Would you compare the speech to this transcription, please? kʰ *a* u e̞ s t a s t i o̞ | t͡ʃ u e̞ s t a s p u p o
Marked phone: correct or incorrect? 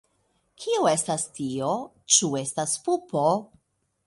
incorrect